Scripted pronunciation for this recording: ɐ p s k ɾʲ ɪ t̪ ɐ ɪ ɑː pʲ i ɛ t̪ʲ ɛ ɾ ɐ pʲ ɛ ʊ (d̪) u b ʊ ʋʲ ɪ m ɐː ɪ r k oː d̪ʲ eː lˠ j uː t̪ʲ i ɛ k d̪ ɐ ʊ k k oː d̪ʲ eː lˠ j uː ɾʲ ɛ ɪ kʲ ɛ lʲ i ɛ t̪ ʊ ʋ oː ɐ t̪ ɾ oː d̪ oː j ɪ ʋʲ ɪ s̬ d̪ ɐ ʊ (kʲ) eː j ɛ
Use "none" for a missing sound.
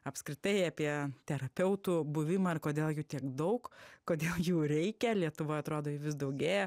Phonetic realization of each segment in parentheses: t̪, ɡʲ

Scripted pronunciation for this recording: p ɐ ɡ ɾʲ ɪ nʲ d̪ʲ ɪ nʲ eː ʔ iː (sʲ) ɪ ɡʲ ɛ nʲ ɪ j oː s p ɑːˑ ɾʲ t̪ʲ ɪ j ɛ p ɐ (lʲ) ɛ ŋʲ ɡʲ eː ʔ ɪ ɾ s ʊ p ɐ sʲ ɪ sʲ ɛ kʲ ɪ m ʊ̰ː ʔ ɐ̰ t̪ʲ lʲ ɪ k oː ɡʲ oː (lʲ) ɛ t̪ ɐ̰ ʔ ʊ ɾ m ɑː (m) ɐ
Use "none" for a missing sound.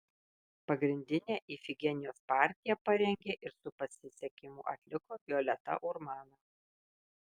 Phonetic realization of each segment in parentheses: fʲ, ɾʲ, lʲ, n

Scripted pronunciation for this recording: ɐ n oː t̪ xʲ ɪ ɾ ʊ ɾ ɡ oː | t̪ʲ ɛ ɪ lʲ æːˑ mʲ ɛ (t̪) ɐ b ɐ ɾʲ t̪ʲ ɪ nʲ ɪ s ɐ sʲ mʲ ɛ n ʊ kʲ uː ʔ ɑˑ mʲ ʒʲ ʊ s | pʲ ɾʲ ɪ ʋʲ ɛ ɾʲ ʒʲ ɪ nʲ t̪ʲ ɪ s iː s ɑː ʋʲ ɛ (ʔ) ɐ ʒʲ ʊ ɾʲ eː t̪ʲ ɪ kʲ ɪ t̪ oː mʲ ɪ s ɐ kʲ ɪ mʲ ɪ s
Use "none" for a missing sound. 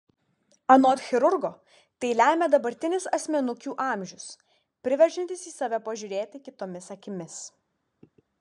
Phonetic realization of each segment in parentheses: d̪, p

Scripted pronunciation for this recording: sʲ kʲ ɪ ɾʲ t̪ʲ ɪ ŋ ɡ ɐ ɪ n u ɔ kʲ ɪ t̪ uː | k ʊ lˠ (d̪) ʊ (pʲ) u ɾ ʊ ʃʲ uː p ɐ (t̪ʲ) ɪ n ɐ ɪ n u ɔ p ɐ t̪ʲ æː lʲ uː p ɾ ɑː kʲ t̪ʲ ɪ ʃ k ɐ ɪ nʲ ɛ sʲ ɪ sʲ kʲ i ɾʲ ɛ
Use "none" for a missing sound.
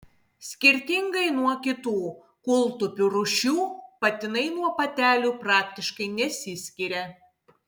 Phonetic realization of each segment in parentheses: t̪, pʲ, t̪ʲ

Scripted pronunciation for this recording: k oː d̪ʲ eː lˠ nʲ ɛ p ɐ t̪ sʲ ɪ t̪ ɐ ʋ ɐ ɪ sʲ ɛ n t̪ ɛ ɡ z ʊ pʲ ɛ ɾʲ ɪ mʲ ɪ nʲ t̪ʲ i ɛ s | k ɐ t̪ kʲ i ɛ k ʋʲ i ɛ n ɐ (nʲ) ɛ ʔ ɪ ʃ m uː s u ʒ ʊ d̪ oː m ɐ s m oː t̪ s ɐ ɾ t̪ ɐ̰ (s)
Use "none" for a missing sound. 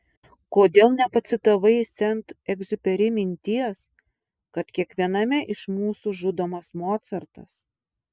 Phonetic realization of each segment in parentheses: mʲ, s

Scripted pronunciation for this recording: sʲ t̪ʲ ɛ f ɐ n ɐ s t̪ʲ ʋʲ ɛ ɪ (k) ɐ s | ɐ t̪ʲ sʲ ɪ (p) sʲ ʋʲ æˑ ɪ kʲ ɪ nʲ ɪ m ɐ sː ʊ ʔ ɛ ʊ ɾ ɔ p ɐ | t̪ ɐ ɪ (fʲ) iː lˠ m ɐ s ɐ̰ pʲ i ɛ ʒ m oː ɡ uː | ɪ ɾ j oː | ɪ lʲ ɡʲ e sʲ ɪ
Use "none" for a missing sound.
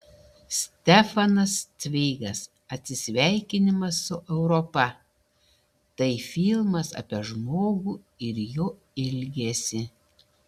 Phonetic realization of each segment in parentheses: ɡ, none, fʲ

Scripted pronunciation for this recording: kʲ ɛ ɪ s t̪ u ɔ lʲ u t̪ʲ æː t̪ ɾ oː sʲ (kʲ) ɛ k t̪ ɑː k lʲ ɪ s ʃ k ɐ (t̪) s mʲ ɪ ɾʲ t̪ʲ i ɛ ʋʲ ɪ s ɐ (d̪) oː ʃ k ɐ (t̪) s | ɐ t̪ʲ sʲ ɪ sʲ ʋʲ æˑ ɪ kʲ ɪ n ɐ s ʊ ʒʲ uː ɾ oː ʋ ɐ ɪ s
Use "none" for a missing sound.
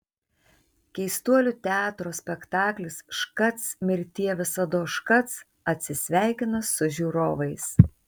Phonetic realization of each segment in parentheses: pʲ, t̪, d̪, t̪

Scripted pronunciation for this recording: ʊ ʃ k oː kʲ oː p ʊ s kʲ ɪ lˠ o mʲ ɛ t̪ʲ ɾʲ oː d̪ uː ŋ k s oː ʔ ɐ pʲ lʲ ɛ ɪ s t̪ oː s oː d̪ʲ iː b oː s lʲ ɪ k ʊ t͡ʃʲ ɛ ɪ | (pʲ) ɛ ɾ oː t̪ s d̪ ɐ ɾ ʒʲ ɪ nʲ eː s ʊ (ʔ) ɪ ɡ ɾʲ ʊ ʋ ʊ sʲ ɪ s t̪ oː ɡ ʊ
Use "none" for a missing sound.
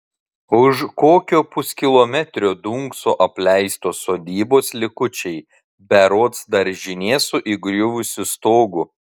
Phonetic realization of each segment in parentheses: bʲ, ʔ

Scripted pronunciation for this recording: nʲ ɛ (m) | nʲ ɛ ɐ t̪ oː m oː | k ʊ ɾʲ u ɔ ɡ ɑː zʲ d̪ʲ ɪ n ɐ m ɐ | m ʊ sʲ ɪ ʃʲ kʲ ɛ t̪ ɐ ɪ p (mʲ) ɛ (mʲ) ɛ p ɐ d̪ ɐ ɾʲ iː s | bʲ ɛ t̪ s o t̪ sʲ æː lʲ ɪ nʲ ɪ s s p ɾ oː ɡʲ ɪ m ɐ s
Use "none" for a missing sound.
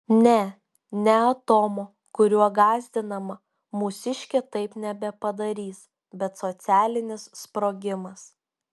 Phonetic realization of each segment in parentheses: none, nʲ, bʲ

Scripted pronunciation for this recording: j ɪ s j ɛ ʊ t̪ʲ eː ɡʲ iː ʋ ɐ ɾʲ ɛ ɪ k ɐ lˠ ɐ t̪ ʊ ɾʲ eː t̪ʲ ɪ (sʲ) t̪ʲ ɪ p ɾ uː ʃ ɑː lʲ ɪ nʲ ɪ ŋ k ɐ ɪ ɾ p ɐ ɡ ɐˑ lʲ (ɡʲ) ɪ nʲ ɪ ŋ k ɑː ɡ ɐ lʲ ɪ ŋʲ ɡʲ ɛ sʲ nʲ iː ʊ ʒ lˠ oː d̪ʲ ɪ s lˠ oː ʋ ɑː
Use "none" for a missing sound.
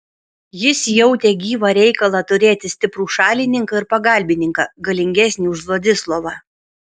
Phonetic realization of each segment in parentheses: sʲ, bʲ

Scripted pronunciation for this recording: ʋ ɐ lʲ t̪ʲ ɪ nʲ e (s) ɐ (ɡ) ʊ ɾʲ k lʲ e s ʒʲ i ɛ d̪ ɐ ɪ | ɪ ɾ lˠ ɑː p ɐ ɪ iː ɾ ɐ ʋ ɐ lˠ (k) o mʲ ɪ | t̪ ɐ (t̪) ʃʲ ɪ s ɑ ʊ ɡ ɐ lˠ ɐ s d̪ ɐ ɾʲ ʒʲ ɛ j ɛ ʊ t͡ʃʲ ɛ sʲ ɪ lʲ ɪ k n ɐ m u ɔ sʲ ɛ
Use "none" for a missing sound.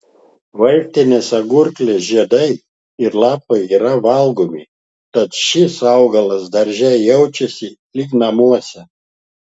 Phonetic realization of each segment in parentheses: s, ɡ, ɡ, t̪

